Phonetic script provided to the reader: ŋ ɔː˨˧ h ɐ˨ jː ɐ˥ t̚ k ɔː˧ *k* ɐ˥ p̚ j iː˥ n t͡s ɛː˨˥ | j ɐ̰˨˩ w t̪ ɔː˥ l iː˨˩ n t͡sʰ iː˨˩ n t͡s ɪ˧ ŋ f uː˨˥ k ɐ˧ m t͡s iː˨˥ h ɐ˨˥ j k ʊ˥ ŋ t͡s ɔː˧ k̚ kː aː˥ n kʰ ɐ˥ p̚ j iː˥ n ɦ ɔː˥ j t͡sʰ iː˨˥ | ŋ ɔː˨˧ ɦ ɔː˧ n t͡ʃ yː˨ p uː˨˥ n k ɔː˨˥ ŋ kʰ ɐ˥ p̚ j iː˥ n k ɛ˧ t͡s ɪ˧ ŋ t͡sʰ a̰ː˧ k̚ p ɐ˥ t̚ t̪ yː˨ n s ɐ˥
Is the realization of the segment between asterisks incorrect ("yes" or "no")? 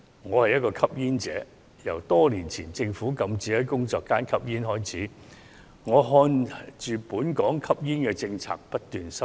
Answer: yes